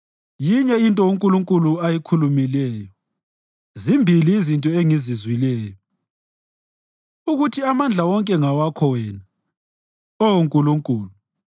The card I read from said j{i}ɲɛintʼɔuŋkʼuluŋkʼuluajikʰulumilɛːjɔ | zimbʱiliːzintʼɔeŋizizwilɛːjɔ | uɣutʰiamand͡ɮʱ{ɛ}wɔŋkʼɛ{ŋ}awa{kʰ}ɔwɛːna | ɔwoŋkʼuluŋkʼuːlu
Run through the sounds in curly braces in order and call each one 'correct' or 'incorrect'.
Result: correct, incorrect, correct, correct

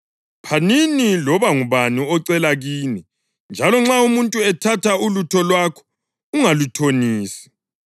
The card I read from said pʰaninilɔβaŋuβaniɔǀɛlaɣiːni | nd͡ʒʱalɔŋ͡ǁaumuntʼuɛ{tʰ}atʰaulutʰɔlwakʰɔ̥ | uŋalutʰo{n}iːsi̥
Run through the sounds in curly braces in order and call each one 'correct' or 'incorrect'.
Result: correct, correct

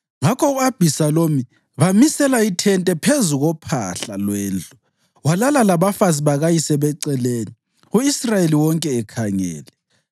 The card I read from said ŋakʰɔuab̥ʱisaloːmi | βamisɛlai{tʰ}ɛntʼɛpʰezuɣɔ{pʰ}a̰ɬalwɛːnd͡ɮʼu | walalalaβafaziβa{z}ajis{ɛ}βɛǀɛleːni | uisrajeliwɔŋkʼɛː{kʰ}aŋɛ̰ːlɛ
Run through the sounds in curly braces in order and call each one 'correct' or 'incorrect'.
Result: correct, correct, incorrect, correct, correct

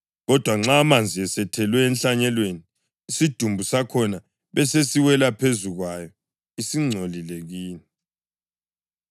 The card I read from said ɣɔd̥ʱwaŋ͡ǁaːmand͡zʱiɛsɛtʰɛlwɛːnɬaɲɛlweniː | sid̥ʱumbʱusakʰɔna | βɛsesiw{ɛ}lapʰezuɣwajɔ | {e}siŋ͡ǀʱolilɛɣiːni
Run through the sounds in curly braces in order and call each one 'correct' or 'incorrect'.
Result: correct, incorrect

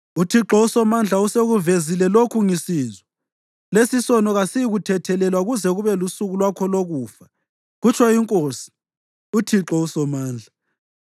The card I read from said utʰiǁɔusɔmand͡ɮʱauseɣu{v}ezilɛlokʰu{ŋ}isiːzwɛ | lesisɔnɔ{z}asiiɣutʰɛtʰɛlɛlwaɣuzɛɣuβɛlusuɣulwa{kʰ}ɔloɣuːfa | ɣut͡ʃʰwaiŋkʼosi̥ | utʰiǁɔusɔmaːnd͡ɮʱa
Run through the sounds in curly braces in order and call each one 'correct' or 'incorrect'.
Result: correct, correct, incorrect, correct

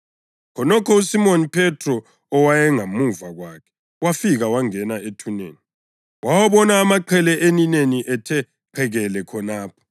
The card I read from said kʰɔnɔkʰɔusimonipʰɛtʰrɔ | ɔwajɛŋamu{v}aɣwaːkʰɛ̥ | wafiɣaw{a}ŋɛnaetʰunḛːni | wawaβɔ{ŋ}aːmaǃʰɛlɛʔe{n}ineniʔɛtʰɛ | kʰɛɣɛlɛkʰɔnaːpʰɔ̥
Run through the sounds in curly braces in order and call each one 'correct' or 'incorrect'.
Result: correct, correct, incorrect, correct

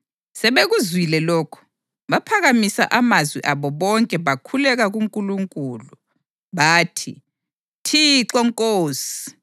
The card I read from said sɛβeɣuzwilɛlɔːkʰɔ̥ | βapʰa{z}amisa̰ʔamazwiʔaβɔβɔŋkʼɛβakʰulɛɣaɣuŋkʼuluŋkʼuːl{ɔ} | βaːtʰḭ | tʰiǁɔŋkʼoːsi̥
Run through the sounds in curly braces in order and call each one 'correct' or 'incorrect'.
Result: incorrect, incorrect

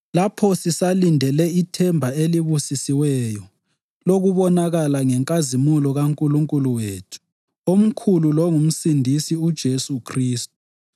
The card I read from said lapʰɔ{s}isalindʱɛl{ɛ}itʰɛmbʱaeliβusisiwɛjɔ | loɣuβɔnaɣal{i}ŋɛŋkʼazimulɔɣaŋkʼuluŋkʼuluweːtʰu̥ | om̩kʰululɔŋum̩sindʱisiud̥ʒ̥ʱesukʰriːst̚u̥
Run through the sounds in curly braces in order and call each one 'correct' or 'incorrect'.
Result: correct, correct, incorrect

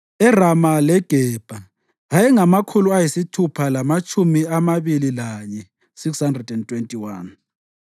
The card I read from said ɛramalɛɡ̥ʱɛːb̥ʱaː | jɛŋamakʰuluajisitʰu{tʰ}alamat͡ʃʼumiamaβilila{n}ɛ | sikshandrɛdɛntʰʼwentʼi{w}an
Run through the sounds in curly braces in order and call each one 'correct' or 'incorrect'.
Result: incorrect, incorrect, correct

